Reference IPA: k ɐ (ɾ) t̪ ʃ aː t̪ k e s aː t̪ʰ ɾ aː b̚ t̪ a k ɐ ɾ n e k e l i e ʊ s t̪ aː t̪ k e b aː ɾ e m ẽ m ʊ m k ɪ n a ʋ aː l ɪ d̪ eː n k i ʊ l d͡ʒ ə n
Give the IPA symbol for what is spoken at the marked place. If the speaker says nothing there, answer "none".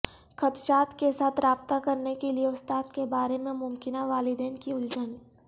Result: none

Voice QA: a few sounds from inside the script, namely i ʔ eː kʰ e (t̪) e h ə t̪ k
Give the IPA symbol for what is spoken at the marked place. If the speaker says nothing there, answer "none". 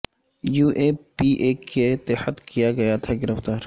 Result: t̪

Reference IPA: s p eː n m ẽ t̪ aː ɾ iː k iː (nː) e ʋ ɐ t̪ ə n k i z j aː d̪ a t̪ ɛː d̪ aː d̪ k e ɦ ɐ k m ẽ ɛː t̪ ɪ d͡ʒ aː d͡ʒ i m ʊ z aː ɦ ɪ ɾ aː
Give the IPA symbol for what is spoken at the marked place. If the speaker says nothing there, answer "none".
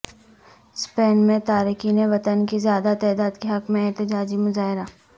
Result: n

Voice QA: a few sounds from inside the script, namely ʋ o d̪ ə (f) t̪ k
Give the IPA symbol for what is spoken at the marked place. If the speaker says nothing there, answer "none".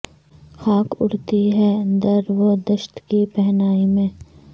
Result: ʃ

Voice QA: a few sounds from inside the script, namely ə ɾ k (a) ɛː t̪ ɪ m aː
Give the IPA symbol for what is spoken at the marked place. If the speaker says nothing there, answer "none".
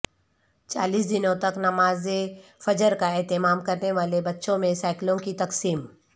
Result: a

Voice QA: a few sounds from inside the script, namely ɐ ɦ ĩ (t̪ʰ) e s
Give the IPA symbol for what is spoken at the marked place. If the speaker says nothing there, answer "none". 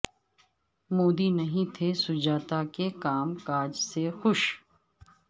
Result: t̪ʰ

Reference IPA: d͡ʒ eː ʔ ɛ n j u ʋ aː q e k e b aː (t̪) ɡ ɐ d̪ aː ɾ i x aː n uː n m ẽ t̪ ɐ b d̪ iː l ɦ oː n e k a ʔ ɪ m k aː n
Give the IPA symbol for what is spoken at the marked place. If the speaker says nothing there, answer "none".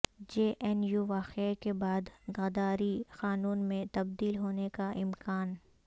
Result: d̪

